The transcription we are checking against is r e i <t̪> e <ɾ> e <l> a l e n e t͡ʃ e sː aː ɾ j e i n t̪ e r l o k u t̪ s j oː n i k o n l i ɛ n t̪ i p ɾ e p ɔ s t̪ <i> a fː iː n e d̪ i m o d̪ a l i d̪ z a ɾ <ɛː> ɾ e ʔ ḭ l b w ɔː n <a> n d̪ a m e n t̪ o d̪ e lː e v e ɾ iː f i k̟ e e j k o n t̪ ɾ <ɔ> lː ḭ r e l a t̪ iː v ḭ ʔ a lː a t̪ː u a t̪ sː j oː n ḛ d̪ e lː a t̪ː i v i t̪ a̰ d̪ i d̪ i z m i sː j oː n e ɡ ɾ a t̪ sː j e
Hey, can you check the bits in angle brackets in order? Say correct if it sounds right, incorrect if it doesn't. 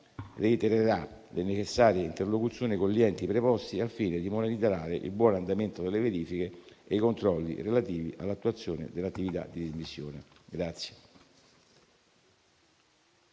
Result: correct, correct, incorrect: ɾ, correct, incorrect: aː, correct, correct

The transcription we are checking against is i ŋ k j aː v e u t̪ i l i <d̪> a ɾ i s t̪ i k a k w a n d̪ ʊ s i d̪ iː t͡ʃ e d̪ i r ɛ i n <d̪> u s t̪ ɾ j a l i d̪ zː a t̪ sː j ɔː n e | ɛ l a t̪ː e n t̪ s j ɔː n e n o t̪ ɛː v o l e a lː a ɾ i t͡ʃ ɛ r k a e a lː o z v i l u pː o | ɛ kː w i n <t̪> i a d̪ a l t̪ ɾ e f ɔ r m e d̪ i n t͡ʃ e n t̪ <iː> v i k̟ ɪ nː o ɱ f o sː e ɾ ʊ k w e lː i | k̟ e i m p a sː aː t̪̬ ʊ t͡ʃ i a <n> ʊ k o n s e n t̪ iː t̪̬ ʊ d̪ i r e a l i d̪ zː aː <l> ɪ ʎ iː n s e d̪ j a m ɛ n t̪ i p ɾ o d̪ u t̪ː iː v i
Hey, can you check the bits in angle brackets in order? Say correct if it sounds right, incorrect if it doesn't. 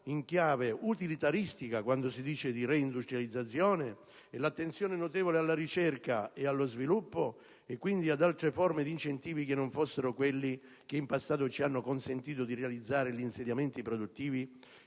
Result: incorrect: t̪, correct, incorrect: d̪, correct, incorrect: nː, incorrect: ɾ

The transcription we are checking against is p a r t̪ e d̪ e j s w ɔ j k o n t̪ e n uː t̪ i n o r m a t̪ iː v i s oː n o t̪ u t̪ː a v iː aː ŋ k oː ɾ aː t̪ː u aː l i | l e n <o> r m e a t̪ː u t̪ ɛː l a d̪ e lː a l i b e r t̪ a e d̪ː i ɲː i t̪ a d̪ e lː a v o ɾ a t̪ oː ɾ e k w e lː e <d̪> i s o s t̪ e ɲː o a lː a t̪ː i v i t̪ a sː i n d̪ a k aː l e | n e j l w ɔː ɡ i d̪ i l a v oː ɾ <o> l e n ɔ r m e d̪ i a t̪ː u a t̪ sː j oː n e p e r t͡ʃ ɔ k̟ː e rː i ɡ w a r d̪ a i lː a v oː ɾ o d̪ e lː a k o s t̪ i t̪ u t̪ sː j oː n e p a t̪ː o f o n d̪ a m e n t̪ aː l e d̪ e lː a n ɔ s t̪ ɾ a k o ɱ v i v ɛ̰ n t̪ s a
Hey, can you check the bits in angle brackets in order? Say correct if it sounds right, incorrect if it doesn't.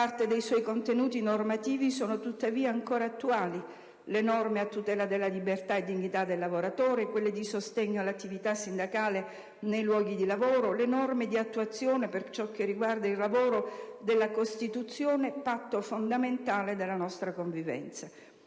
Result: incorrect: ɔ, correct, correct

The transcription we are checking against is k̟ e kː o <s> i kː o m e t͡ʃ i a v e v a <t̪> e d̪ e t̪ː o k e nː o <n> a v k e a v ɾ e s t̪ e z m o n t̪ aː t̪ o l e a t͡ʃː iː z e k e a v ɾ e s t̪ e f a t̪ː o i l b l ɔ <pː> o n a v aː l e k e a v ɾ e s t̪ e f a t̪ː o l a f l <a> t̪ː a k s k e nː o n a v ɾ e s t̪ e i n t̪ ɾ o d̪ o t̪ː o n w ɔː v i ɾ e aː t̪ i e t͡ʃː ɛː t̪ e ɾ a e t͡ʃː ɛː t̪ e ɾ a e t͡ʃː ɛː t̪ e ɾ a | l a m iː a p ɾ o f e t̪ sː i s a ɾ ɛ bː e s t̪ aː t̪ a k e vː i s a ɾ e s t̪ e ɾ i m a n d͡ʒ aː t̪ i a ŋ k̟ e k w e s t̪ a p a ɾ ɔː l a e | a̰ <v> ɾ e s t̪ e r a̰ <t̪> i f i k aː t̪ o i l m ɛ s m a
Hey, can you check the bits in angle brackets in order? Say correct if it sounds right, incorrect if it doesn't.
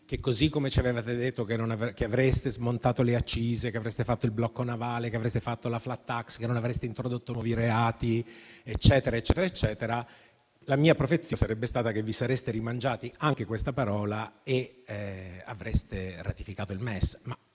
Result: incorrect: z, correct, correct, incorrect: kː, correct, correct, correct

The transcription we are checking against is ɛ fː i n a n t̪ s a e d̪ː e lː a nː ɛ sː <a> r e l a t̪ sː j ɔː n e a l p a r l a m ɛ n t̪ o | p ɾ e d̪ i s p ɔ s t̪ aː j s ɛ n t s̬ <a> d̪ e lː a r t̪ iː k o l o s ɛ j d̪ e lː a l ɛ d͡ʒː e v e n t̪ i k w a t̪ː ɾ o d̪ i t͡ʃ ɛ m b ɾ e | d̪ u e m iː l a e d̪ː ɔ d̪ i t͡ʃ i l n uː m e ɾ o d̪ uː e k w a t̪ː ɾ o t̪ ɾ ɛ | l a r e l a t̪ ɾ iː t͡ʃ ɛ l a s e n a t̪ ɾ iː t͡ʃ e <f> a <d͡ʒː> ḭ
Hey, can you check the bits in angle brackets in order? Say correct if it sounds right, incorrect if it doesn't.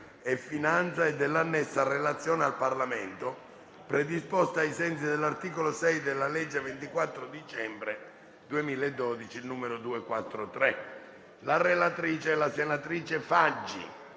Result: correct, incorrect: i, correct, correct

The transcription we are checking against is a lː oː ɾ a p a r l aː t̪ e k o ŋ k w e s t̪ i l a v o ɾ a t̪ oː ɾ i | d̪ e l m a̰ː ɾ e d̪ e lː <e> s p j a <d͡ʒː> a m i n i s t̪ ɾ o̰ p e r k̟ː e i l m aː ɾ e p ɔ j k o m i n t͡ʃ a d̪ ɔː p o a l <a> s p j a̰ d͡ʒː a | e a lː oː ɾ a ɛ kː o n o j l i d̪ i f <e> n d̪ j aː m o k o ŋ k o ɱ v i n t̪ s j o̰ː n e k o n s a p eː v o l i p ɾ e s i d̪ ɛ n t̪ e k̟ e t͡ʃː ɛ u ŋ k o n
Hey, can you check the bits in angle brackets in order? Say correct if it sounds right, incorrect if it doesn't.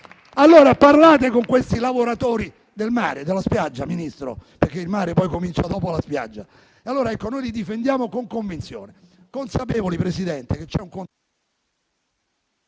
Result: incorrect: a, correct, correct, correct

